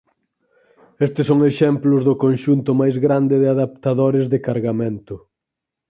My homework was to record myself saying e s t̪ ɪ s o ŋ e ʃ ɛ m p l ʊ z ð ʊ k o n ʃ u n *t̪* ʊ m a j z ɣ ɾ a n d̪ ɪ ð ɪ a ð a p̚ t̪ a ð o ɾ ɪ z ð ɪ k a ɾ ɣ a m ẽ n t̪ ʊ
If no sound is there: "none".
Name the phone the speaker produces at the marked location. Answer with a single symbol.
t̪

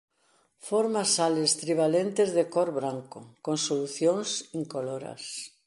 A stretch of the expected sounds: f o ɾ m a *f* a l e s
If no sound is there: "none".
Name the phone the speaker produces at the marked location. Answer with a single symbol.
s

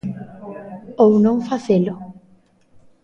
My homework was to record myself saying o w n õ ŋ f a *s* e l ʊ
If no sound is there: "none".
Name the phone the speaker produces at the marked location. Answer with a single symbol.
θ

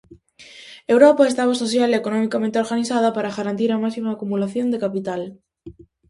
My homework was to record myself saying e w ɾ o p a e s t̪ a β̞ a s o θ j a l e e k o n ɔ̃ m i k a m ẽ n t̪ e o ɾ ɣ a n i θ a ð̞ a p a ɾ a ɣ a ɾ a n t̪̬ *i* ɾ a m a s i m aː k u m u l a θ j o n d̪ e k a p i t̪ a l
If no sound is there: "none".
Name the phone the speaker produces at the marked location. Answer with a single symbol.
i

